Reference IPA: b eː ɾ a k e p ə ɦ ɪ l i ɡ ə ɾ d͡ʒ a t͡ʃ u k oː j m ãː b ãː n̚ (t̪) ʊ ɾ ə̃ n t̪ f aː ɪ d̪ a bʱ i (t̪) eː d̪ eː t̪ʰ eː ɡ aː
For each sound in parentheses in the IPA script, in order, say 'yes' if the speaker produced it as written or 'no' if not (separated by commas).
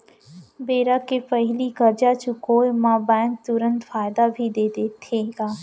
yes, no